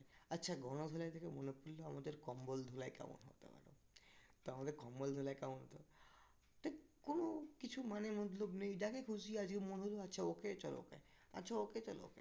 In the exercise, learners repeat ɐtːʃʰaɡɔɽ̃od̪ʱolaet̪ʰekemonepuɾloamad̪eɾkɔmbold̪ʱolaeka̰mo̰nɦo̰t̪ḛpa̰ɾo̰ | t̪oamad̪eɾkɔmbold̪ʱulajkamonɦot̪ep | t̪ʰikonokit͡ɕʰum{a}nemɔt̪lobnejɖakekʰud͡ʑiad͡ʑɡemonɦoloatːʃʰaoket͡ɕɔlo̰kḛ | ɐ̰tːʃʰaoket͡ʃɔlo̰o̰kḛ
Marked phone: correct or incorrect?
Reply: correct